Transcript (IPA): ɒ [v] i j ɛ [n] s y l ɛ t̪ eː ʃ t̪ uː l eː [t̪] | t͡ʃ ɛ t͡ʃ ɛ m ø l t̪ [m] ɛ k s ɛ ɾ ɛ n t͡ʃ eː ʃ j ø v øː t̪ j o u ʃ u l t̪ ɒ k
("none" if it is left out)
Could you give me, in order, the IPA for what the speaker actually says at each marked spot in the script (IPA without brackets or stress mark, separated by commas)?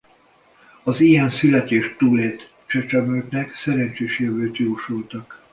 z, n, t̪, n